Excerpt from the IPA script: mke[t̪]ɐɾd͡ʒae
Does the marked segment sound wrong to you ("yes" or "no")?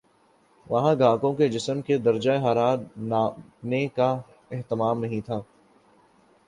yes